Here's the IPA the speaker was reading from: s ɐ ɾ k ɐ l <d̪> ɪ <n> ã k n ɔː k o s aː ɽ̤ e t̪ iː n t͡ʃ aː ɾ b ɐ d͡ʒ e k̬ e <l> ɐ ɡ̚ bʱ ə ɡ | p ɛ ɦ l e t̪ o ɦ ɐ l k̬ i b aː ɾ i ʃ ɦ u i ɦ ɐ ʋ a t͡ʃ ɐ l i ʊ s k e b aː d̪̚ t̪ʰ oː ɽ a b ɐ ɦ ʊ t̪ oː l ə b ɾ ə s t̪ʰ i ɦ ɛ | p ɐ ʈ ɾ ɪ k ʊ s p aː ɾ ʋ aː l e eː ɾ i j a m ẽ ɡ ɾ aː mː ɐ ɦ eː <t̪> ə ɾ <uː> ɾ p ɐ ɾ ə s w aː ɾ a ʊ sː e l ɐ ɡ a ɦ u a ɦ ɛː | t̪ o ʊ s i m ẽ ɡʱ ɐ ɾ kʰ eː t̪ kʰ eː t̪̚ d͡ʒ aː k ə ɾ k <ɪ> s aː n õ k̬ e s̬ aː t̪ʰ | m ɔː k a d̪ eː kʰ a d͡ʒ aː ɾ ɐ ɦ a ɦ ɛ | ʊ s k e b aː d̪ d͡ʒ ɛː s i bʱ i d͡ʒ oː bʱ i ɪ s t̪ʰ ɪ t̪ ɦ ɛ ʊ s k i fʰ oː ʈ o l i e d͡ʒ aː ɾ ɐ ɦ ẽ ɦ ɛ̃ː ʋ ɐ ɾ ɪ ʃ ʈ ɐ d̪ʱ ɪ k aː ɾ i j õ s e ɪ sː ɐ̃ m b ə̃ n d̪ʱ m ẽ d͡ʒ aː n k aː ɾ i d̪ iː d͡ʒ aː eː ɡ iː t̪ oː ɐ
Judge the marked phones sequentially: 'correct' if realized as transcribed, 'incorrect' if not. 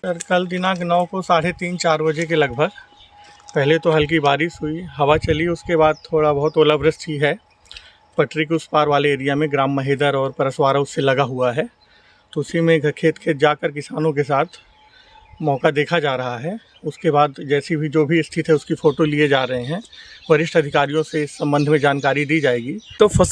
correct, correct, correct, incorrect, incorrect, correct

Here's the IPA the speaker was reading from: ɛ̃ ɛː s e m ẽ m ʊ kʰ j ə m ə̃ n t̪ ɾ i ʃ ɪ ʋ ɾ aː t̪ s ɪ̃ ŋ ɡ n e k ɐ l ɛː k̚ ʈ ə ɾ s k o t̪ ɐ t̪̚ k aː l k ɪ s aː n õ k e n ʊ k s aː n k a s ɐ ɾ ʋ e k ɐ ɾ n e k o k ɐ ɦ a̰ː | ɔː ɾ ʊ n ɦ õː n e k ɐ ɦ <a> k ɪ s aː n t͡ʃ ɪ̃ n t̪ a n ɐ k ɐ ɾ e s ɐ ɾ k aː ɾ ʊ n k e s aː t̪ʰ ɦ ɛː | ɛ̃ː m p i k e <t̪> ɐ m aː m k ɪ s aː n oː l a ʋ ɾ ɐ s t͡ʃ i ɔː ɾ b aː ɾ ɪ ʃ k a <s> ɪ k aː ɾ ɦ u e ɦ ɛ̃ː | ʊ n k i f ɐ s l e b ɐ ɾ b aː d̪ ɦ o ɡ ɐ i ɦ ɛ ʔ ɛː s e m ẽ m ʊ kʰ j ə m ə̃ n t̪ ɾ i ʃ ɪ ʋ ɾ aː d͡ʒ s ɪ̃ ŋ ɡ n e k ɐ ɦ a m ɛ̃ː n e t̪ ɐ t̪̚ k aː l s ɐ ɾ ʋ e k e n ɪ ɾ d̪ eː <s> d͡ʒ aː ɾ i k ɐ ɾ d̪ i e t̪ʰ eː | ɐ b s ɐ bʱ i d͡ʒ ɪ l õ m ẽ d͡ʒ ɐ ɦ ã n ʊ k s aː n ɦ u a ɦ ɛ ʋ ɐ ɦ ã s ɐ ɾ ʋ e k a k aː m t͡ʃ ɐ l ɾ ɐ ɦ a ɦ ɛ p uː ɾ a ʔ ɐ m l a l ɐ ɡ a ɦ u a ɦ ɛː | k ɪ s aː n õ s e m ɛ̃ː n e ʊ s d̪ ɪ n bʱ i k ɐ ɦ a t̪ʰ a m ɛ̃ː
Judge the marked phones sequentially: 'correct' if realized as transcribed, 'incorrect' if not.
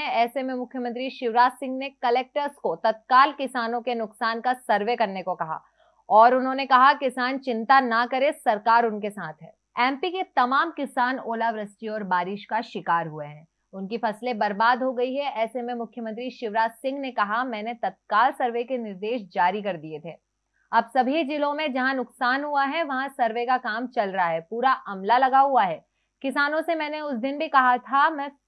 correct, correct, incorrect, incorrect

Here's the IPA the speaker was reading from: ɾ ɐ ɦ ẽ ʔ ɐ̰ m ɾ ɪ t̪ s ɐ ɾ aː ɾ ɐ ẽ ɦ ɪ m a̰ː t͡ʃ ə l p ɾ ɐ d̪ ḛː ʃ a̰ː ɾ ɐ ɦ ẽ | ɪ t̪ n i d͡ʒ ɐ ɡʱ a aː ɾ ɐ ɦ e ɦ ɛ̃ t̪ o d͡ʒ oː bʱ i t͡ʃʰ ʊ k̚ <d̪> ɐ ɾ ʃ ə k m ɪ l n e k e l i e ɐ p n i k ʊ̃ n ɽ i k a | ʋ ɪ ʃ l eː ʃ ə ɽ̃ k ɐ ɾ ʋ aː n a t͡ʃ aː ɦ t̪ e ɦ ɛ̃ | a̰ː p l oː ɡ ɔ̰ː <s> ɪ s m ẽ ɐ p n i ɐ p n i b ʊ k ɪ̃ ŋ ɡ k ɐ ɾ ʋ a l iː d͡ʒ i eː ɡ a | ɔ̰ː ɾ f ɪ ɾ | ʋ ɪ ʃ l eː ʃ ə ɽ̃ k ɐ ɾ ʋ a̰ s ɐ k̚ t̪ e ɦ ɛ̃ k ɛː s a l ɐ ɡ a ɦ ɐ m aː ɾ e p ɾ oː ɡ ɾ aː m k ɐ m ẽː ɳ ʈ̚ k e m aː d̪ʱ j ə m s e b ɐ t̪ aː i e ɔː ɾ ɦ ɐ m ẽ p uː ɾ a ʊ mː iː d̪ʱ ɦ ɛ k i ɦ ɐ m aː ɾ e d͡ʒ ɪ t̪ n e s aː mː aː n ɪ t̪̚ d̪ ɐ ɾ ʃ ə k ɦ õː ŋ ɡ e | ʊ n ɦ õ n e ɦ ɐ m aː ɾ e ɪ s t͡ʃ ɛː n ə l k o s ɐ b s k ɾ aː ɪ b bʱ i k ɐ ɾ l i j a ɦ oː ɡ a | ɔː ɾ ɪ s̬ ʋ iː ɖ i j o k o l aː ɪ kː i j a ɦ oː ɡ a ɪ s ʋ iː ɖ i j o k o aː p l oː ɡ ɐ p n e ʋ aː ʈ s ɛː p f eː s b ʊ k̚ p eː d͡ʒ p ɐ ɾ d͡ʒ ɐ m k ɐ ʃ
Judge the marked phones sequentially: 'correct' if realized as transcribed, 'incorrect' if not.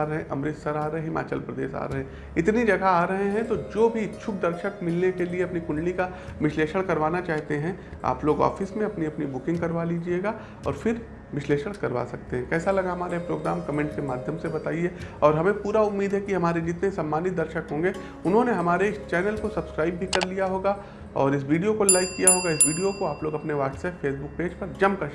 correct, incorrect

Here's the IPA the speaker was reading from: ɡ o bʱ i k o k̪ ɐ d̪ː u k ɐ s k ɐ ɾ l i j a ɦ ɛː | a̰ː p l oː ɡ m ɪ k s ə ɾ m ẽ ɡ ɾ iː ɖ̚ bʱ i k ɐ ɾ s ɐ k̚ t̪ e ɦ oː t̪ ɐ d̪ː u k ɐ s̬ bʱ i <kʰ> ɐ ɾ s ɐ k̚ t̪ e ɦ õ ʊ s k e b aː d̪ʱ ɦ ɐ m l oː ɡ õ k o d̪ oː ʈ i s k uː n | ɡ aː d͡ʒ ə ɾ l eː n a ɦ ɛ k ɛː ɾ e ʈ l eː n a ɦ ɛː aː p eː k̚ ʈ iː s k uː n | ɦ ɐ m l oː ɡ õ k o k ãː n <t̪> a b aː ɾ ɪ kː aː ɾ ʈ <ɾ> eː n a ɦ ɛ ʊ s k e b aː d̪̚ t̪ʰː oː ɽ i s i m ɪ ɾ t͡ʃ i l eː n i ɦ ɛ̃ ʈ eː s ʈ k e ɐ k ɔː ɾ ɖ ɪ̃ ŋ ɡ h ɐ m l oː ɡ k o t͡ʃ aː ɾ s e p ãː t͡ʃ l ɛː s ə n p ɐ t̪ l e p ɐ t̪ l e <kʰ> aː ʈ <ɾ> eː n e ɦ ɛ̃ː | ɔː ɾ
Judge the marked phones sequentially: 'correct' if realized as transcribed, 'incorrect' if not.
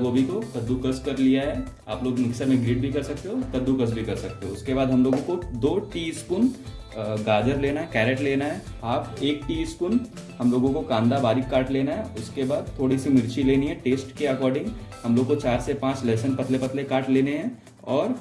incorrect, incorrect, incorrect, incorrect, incorrect

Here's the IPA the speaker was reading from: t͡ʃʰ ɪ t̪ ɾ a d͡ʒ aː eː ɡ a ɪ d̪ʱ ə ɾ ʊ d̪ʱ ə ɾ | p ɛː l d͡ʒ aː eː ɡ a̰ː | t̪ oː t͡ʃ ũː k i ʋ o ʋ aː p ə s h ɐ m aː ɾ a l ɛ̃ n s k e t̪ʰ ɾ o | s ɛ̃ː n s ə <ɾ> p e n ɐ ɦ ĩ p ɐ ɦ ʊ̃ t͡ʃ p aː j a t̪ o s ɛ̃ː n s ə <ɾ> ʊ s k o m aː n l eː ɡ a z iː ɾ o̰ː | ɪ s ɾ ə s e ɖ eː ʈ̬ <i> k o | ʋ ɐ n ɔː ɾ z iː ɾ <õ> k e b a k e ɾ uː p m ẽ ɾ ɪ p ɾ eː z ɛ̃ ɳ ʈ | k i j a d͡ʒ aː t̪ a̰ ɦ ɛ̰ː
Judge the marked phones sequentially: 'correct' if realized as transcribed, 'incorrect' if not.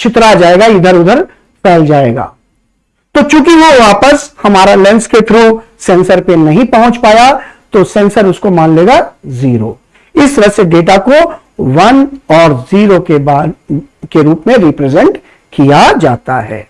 correct, correct, incorrect, incorrect

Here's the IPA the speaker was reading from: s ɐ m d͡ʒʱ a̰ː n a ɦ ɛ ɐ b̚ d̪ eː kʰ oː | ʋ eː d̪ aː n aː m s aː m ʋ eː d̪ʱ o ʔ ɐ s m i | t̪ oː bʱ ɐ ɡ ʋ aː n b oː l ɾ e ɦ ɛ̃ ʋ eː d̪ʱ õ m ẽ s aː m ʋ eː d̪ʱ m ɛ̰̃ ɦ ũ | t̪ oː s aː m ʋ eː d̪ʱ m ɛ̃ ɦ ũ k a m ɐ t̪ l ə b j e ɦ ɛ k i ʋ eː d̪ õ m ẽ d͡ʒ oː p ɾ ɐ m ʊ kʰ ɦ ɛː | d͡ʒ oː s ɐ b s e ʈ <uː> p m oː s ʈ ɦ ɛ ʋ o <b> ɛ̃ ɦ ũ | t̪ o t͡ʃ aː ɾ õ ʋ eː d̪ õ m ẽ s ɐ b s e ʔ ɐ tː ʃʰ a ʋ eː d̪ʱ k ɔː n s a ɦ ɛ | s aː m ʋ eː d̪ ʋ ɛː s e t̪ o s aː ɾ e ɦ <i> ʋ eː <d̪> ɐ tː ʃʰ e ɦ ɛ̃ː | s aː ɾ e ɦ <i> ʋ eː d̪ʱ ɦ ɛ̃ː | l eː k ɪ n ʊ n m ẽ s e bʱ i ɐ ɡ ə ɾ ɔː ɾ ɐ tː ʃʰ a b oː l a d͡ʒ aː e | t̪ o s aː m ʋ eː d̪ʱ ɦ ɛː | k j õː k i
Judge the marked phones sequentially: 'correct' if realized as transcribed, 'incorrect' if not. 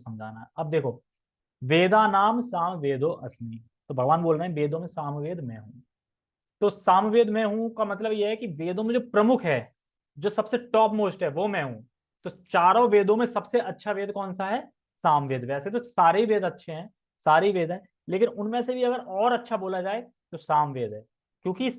incorrect, incorrect, correct, correct, correct

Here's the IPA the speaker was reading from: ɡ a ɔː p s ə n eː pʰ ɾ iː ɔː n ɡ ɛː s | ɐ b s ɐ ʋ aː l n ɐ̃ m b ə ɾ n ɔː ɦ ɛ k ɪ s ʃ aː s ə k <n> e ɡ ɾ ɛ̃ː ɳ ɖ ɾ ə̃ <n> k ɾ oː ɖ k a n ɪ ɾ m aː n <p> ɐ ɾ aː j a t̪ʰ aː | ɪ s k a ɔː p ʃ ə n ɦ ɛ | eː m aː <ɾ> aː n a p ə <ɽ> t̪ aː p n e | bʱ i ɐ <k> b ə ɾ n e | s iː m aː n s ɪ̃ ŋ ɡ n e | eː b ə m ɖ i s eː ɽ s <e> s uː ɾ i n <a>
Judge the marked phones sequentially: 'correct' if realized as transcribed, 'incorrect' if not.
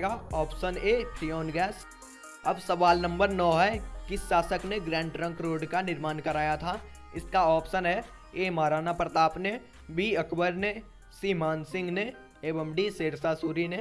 correct, incorrect, incorrect, correct, incorrect, correct, incorrect, incorrect

